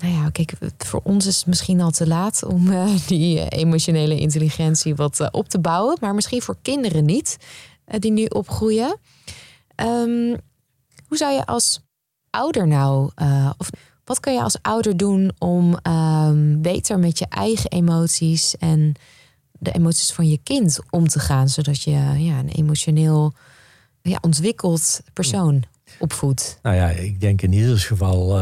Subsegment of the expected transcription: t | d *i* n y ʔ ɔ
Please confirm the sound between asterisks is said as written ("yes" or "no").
yes